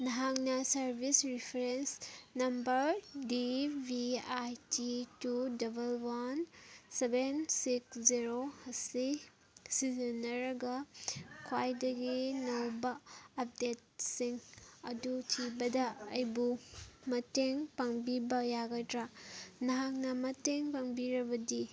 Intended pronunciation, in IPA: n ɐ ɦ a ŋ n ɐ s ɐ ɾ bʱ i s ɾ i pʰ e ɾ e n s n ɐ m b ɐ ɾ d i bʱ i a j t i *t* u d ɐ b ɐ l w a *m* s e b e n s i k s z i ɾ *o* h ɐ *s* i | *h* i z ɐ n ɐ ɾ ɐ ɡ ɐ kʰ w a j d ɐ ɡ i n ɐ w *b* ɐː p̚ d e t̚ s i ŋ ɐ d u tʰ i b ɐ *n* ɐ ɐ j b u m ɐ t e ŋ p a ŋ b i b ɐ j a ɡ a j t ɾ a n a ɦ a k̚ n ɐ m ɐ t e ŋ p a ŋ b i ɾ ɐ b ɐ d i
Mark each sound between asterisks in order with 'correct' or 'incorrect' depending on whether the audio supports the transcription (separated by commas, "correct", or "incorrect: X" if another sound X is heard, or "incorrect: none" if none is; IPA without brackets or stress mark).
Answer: correct, incorrect: n, correct, correct, incorrect: s, correct, incorrect: d